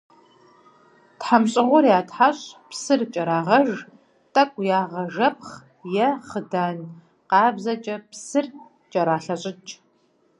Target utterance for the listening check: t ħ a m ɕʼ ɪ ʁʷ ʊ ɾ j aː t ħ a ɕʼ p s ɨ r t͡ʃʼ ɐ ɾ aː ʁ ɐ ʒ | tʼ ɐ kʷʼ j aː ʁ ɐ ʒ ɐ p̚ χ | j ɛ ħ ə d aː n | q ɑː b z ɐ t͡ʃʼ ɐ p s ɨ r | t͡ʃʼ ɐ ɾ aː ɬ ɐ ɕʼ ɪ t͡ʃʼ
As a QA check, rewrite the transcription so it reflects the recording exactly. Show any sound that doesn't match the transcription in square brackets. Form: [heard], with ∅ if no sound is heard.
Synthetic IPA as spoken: t ħ a m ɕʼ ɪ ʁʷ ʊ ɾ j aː t ħ a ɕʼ p s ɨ r t͡ʃʼ ɐ ɾ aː ʁ ɐ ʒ | tʼ ɐ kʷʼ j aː ʁ ɐ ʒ ɐ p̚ χ | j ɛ [χ] ə d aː n | q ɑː b z ɐ t͡ʃʼ ɐ p s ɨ r | t͡ʃʼ ɐ ɾ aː ɬ ɐ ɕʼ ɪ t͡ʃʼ